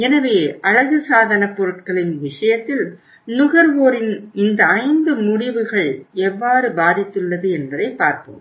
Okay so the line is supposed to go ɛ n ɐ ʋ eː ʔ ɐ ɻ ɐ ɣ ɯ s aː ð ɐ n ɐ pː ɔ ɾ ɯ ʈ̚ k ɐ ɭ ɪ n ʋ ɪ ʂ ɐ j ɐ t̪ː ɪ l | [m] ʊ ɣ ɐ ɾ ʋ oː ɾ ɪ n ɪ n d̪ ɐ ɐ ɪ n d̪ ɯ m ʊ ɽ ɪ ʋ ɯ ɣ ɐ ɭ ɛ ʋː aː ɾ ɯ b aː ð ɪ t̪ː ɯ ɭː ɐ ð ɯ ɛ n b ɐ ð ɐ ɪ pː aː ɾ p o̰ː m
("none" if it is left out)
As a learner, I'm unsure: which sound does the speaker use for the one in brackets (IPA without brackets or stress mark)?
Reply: n